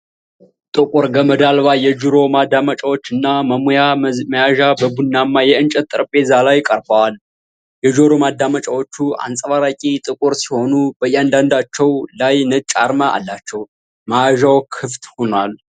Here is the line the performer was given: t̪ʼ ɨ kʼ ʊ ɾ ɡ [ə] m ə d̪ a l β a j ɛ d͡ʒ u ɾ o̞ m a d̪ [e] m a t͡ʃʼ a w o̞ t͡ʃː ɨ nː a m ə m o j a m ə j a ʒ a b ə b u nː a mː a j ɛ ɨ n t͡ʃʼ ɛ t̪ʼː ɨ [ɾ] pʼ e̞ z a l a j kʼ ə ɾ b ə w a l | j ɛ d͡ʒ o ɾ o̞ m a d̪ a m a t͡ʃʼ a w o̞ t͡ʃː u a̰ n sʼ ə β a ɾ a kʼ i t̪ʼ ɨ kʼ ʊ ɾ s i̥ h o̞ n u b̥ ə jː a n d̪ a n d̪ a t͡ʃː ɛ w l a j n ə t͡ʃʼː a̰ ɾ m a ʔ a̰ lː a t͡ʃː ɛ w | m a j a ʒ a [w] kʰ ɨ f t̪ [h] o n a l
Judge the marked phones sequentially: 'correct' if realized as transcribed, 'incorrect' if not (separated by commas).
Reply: correct, incorrect, correct, correct, correct